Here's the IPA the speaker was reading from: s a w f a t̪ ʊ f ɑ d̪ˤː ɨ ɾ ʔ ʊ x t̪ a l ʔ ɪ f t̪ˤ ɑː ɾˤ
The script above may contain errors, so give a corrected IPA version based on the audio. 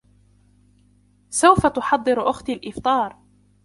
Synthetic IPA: s a w f a t̪ ʊ ħ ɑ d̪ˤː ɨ ɾ ʔ ʊ x t̪ a l ʔ ɪ f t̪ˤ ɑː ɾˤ

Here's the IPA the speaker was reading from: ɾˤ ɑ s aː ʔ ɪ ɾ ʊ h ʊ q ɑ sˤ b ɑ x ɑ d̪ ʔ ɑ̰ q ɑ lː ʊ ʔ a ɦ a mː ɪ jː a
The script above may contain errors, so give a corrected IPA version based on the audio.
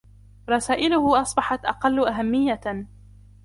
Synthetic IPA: ɾˤ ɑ s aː ʔ ɪ l ʊ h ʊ ʔ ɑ sˤ b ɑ ħ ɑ t̪ ʔ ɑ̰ q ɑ lː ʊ ʔ a ɦ a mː ɪ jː a

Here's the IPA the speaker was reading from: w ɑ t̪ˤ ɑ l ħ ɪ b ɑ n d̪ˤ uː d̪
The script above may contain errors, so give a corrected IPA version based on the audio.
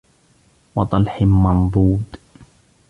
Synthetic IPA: w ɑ t̪ˤ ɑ l ħ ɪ m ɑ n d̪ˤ uː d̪

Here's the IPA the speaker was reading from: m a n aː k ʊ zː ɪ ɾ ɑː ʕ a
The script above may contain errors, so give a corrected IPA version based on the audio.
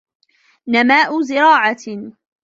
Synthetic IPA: n a m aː ʔ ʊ z ɪ ɾ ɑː ʕ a

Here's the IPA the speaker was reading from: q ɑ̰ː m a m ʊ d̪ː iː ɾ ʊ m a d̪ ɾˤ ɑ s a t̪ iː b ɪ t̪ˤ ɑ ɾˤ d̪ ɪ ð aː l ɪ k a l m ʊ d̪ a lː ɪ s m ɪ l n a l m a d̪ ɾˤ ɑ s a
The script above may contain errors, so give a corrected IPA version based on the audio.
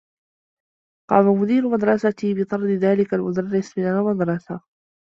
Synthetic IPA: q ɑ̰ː m a m ʊ d̪ iː ɾ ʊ m a d̪ ɾˤ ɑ s a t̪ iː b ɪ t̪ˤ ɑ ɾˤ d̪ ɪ ð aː l ɪ k a l m ʊ d̪ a rː ɪ s m ɪ n a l m a d̪ ɾˤ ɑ s a

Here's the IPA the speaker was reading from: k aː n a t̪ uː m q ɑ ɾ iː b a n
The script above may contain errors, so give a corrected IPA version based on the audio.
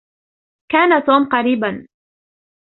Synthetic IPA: k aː n a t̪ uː m q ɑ ɾ iː b a n

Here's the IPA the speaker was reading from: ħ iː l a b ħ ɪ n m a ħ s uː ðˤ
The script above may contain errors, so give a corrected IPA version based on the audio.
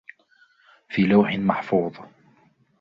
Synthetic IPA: f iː l a w ħ ɪ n m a ħ f uː ðˤ

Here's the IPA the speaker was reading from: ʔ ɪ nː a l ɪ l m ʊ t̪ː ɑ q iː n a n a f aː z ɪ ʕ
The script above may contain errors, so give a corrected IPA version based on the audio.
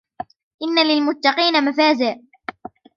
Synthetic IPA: ʔ ɪ nː a l ɪ l m ʊ t̪ː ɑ q iː n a m a f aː z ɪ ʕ

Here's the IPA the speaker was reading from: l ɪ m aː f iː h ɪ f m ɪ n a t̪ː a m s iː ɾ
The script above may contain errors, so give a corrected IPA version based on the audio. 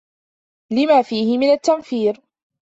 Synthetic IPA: l ɪ m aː f iː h ɪ m ɪ n a t̪ː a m f iː ɾ

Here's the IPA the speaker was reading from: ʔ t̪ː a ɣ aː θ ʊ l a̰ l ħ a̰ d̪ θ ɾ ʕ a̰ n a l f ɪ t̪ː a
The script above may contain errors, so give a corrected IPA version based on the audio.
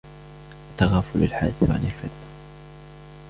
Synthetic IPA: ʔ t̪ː a ɣ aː f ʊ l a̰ l ħ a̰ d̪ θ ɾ ʕ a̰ n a l f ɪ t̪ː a

